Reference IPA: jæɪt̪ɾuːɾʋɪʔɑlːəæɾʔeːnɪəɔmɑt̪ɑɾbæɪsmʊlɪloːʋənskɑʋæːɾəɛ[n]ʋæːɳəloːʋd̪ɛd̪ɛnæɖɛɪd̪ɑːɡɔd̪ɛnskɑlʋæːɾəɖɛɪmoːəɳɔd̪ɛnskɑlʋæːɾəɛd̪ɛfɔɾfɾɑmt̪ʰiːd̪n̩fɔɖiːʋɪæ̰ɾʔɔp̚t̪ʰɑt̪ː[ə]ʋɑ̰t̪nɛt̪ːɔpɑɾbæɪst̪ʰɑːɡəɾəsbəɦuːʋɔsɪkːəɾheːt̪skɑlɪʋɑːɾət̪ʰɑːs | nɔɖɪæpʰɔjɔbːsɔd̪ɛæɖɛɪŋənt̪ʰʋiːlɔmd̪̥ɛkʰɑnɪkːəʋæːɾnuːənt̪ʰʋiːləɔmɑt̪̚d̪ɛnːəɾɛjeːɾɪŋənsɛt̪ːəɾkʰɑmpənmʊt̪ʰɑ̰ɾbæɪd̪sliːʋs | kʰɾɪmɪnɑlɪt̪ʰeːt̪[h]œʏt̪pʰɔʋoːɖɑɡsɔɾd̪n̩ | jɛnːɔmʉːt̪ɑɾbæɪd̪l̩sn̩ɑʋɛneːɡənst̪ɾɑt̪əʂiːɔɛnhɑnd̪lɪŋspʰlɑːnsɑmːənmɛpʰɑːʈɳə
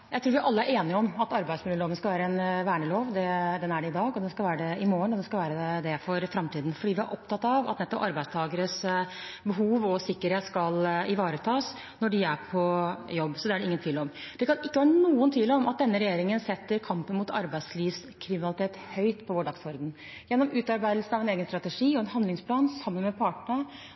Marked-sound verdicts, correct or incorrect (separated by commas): correct, incorrect, correct